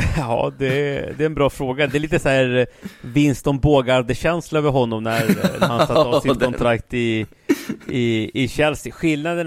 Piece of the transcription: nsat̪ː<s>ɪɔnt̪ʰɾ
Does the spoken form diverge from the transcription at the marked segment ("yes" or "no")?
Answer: no